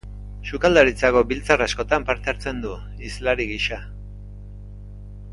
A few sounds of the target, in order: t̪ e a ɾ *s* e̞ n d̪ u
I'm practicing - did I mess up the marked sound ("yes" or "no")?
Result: yes